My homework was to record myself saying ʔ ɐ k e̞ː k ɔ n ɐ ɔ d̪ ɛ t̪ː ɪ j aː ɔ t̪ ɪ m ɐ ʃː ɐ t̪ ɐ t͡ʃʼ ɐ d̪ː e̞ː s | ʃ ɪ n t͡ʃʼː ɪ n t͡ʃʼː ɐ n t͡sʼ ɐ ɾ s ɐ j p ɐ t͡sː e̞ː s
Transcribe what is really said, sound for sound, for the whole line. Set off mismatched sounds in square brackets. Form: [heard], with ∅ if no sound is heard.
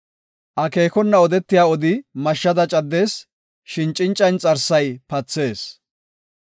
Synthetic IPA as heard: ʔ ɐ k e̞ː k ɔ [nː] ɐ ɔ d̪ ɛ t̪ː ɪ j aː ɔ [d̪] ɪ m ɐ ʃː ɐ [d̪] ɐ t͡ʃʼ ɐ d̪ː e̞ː s | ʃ ɪ n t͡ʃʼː ɪ n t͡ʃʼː ɐ n t͡sʼ ɐ ɾ s ɐ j p ɐ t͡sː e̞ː s